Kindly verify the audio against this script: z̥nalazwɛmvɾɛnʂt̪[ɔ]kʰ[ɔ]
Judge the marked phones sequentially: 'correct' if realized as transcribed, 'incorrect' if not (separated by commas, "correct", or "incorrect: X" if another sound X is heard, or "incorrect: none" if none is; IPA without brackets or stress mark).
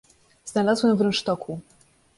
correct, incorrect: u